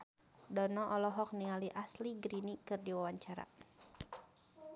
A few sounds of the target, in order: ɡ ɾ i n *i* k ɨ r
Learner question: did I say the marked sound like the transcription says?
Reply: yes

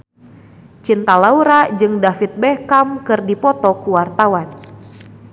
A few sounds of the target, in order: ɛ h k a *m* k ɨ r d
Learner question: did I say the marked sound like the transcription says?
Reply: yes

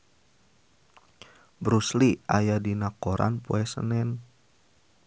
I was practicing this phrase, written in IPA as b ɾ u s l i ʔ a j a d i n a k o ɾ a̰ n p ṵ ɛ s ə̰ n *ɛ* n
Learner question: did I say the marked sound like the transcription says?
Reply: yes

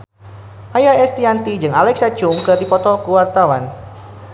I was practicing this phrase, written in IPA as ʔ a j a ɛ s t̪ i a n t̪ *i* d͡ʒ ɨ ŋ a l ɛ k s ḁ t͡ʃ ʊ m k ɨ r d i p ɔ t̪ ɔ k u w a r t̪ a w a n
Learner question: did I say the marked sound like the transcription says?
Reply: yes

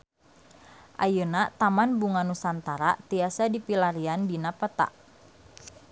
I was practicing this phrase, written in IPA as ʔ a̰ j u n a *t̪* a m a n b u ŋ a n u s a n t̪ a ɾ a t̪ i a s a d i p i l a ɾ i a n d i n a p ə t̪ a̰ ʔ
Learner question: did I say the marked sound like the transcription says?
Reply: yes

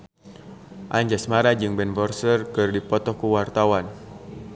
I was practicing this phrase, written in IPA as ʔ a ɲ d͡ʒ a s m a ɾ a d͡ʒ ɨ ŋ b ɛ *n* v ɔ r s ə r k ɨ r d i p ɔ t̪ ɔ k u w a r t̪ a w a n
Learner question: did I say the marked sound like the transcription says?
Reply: yes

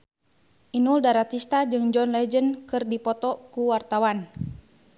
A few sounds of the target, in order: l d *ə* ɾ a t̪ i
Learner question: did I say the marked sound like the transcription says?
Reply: no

